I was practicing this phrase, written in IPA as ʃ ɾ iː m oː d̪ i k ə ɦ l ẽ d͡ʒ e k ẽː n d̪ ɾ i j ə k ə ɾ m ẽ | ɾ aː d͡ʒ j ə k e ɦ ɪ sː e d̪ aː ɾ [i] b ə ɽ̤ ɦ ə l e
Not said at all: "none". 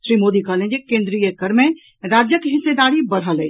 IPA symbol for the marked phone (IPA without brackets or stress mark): i